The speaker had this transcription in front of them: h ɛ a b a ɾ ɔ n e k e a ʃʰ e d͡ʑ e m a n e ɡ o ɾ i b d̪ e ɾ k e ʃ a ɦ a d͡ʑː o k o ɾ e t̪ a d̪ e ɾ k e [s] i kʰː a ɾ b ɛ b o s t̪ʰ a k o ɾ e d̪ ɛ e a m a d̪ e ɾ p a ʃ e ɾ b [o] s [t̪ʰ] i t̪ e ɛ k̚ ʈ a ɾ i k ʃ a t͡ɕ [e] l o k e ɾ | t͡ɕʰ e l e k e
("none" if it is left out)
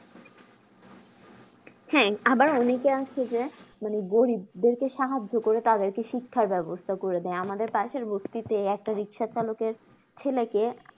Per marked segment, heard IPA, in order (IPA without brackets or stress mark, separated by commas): ʃ, o, t̪, a